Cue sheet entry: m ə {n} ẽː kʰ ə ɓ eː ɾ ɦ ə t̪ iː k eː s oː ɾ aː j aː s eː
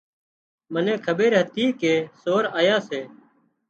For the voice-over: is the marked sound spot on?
yes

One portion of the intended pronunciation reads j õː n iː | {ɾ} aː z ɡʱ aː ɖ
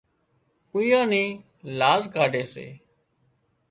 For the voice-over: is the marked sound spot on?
no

